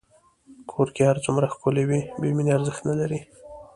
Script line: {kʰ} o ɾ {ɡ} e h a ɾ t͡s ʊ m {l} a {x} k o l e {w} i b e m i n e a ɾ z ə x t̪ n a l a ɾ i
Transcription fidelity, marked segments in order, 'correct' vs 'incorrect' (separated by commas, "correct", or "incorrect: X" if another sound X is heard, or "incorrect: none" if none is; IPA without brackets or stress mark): correct, incorrect: k, incorrect: ɾ, correct, correct